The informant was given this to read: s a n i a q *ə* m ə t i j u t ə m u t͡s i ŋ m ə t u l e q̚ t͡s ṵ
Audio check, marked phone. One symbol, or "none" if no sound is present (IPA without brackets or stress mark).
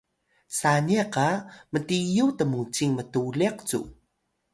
a